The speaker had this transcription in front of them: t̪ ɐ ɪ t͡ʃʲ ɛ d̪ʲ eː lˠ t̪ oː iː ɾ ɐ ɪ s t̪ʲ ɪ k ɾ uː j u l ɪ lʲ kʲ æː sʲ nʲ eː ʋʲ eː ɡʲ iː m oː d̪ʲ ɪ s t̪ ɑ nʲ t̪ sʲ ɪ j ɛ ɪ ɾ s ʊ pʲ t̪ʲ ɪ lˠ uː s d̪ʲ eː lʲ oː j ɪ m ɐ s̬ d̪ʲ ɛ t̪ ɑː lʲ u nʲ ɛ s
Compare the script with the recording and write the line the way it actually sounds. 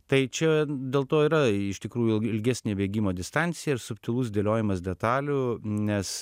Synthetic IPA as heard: t̪ ɐ ɪ t͡ʃʲ ɛ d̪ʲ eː lˠ t̪ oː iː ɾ ɐ ɪ ʃ t̪ʲ ɪ k ɾ uː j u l ɪ lʲ ɡʲ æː sʲ nʲ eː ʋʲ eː ɡʲ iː m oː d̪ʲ ɪ s t̪ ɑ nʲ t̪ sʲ ɪ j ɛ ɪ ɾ s ʊ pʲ t̪ʲ ɪ lˠ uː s d̪ʲ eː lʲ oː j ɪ m ɐ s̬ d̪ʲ ɛ t̪ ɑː lʲ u nʲ ɛ s